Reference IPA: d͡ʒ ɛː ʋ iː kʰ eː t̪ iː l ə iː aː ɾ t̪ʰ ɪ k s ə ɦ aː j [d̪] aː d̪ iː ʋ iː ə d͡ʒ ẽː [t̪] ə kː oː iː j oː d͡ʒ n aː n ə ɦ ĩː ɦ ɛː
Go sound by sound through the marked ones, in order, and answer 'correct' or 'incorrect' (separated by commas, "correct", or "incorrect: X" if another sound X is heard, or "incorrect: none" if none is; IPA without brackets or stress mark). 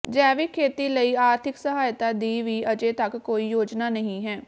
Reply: incorrect: t̪, correct